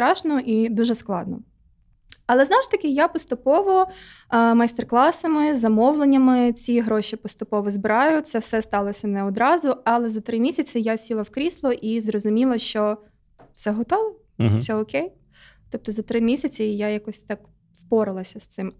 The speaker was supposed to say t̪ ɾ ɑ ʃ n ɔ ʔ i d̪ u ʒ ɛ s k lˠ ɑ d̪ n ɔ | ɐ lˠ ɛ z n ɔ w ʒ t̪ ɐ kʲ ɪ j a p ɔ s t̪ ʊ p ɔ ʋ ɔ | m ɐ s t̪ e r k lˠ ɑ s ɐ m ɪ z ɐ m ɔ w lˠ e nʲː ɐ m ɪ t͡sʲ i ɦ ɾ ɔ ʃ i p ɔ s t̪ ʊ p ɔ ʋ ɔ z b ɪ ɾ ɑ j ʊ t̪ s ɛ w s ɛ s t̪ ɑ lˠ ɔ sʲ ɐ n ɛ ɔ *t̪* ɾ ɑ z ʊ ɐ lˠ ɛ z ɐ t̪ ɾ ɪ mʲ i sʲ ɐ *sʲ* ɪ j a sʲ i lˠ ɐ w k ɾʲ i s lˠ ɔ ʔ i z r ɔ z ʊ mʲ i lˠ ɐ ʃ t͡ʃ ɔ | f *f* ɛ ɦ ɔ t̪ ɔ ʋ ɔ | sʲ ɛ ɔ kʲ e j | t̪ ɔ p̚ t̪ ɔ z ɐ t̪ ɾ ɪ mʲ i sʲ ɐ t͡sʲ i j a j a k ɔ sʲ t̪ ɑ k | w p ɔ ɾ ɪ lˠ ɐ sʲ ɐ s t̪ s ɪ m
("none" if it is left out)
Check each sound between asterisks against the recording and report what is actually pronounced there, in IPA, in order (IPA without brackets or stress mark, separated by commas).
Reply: d̪, t͡sʲ, s